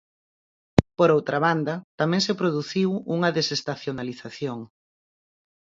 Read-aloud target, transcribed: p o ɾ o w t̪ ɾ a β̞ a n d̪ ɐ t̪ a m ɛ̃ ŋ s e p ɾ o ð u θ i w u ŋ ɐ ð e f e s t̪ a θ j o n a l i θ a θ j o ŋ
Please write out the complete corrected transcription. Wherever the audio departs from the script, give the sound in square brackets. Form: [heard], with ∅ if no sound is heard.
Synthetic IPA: p o ɾ o w t̪ ɾ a β̞ a n d̪ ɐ t̪ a m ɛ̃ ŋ s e p ɾ o ð u θ i w u ŋ ɐ ð e [s] e s t̪ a θ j o n a l i θ a θ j o ŋ